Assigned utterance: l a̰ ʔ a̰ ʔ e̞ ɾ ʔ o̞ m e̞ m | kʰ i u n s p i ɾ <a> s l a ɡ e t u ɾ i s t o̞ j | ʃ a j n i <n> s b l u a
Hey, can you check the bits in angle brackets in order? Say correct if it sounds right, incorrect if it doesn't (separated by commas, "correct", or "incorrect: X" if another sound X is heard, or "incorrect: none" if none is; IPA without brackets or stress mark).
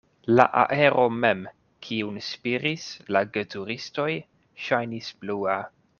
incorrect: i, incorrect: none